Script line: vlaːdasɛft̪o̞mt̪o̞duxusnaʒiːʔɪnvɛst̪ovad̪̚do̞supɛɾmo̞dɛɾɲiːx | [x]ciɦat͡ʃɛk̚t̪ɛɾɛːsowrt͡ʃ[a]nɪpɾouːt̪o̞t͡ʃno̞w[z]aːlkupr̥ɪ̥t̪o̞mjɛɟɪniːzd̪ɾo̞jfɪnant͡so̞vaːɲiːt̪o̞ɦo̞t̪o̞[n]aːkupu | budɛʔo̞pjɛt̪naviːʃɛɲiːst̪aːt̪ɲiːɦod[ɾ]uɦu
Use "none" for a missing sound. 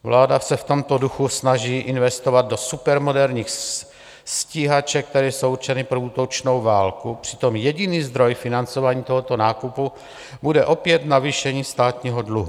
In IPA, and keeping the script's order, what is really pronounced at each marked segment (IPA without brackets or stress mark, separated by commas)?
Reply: s, ɛ, v, n, l